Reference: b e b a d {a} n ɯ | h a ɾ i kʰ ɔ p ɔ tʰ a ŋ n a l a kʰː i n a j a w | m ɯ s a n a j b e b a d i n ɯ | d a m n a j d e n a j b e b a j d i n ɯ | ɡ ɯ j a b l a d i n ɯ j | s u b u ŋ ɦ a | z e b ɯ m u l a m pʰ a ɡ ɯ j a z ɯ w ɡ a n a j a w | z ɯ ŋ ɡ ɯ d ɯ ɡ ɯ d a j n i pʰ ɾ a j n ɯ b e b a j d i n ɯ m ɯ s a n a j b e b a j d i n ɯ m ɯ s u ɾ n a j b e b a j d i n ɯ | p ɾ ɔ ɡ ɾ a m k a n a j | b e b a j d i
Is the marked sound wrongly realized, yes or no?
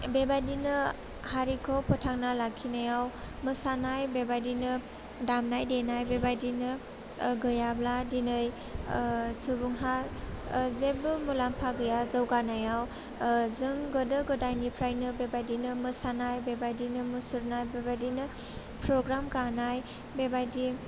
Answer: yes